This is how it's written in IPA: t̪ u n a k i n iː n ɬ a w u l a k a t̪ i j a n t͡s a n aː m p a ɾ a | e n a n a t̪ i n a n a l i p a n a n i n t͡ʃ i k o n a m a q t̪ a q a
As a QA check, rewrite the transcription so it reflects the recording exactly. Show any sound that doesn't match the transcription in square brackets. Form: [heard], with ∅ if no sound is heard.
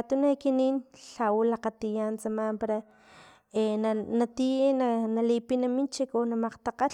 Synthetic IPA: t̪ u n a k i n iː n ɬ a w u l a [q] a t̪ i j a n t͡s a [m] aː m p a ɾ a | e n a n a t̪ i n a n a l i p [i] n a [m] i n t͡ʃ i k o n a m a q t̪ a q a